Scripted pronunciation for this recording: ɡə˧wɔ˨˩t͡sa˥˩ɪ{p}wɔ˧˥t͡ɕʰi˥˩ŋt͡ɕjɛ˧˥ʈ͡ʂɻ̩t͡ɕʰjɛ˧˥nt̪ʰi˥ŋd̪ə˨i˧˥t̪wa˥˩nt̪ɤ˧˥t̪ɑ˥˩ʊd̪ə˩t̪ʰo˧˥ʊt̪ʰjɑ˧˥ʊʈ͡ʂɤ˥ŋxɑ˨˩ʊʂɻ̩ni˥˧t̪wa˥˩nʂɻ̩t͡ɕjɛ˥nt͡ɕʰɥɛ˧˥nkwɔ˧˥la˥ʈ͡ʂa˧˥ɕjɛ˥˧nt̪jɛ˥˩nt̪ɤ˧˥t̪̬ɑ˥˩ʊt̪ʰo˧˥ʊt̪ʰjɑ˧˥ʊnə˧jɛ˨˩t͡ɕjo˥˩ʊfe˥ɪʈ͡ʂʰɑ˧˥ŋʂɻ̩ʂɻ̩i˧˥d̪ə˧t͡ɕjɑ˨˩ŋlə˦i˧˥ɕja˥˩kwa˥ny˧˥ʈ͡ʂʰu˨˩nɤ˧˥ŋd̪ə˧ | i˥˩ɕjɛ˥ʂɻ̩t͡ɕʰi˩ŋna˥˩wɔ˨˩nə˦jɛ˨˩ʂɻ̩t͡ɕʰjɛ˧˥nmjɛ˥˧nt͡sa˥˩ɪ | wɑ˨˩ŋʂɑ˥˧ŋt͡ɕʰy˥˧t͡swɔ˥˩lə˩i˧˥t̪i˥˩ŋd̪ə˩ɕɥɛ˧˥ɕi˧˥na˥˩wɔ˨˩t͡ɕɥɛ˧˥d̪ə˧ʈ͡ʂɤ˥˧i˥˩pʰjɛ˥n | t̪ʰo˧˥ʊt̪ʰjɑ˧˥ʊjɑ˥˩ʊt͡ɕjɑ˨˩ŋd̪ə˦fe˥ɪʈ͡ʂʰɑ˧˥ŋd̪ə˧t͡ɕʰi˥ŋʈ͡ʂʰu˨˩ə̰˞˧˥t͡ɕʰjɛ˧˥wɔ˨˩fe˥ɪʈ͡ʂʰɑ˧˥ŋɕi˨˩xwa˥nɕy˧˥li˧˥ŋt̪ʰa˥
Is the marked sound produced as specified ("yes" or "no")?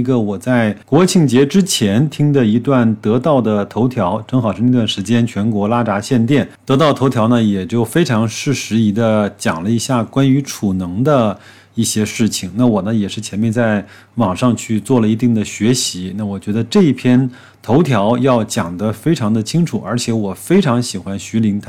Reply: no